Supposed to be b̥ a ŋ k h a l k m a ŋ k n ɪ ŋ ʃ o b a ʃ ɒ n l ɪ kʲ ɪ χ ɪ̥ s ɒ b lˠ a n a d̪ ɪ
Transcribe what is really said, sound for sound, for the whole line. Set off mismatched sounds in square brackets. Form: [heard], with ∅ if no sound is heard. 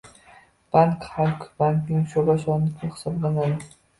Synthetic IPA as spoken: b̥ a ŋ k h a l k [b] a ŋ k n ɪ ŋ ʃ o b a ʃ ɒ n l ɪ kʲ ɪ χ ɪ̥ s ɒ b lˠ a n a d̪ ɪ